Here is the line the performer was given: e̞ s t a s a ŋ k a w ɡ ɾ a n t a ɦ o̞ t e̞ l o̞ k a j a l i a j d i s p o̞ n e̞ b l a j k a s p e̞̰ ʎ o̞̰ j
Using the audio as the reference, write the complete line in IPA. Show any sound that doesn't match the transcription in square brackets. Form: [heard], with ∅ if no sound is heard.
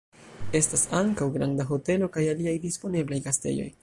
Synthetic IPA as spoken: e̞ s t a s a ŋ k a w ɡ ɾ a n [d] a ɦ o̞ t e̞ l o̞ k a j a l i a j d i s p o̞ n e̞ b l a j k a s [t] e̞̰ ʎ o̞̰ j